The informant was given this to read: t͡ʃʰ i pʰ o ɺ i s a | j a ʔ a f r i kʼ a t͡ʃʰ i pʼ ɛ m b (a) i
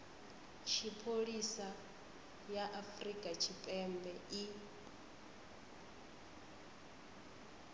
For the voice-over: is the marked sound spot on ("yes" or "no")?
no